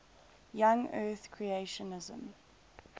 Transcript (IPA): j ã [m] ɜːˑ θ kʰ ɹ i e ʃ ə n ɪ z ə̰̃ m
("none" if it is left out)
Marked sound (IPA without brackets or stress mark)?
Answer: ŋ